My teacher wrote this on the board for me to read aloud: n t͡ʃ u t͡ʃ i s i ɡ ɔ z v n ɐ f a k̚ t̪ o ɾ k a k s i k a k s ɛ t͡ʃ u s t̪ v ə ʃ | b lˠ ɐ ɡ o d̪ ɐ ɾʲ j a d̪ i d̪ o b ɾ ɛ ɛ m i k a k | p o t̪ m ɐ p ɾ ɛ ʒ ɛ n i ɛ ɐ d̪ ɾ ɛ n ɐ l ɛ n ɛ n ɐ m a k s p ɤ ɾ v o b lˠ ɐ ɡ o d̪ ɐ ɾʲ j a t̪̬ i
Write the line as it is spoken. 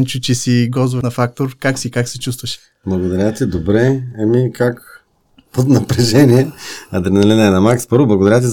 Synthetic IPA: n t͡ʃ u t͡ʃ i s i ɡ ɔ z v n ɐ f a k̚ t̪ o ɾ k a k s i k a k s ɛ t͡ʃ u s t̪ v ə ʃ | b lˠ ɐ ɡ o d̪ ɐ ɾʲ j a t̪ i d̪ o b ɾ ɛ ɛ m i k a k | p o t̪ n ɐ p ɾ ɛ ʒ ɛ n i ɛ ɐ d̪ ɾ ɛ n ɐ l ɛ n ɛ n ɐ m a k s p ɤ ɾ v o b lˠ ɐ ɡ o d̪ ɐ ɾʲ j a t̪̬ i